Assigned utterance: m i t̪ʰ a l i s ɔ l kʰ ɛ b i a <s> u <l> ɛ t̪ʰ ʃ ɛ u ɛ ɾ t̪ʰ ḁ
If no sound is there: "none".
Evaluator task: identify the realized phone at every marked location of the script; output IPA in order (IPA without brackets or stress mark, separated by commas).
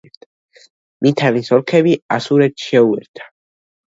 s, ɾ